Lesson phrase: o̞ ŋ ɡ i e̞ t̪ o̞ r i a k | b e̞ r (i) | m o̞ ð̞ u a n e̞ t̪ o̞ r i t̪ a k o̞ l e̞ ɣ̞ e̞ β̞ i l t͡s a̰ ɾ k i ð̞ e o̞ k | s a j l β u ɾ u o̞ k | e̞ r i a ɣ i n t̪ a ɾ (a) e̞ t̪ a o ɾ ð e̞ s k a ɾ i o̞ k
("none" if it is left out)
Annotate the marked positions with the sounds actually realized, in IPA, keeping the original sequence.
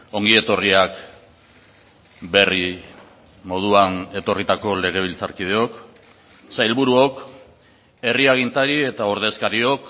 i, i

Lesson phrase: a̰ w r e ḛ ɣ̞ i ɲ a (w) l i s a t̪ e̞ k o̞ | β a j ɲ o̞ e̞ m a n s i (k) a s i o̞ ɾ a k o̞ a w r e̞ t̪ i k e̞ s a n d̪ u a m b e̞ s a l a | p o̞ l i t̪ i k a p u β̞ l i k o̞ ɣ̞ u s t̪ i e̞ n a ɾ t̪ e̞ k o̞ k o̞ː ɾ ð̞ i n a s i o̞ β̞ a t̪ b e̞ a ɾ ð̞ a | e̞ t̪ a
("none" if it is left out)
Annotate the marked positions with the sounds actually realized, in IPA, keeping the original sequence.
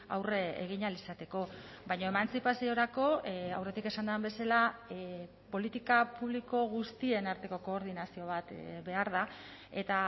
none, p

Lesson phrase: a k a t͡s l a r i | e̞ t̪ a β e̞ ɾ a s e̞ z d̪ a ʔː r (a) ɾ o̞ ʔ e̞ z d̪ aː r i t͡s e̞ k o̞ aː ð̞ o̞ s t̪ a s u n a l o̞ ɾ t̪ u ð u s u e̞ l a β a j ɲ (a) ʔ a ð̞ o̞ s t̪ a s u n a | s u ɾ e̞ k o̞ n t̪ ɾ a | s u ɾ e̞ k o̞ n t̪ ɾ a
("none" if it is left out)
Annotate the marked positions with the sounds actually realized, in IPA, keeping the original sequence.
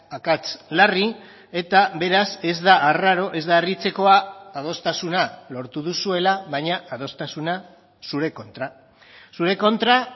a, a

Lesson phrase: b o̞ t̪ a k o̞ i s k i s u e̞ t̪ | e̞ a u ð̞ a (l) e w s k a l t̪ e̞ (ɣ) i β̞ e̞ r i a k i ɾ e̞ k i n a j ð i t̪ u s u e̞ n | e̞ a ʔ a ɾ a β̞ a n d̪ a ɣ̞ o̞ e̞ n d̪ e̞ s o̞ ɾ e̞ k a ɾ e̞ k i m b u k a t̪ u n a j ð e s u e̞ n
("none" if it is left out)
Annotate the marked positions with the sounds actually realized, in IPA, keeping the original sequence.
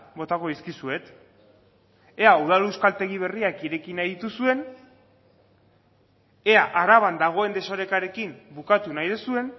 l, ɣ

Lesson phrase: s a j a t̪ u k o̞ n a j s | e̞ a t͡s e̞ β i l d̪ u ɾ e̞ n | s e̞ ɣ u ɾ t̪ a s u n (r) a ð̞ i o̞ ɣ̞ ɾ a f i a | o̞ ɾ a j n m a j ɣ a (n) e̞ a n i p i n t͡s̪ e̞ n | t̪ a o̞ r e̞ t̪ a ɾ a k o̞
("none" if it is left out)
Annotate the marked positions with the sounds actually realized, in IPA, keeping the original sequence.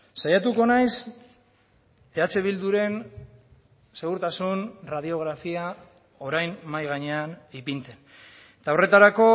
r, ɲ

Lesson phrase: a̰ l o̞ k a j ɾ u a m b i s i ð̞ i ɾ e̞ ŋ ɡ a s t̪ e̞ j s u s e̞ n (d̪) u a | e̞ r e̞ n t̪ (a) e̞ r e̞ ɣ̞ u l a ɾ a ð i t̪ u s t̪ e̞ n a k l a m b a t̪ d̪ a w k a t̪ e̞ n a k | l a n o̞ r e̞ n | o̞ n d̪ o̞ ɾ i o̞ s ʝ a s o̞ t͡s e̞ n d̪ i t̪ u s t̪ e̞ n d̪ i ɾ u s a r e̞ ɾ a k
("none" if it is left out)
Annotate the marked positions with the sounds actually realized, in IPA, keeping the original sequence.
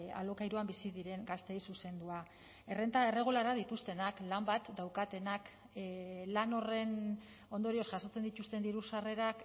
d̪, a

